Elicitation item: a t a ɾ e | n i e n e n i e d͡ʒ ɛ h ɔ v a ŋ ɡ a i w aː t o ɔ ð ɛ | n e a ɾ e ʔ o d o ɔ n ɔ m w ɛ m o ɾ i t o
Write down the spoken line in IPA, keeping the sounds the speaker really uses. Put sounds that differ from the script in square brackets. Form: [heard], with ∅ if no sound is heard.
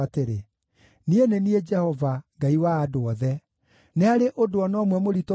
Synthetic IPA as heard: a t [e] ɾ e | n i e n e n i e d͡ʒ ɛ h ɔ v a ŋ ɡ a i w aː [d] o ɔ ð ɛ | n e a ɾ e ʔ o d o ɔ n ɔ m w ɛ m o ɾ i t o